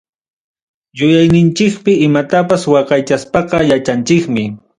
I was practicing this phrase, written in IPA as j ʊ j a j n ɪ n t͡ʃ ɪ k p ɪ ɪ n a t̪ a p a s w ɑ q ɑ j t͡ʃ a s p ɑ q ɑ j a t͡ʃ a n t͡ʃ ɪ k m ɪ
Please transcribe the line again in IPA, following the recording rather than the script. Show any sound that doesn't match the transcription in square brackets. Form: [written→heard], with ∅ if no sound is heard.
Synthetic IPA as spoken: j ʊ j a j n ɪ n t͡ʃ ɪ k p ɪ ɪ [n→m] a t̪ a p a s w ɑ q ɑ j t͡ʃ a s p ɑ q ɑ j a t͡ʃ a n t͡ʃ ɪ k m ɪ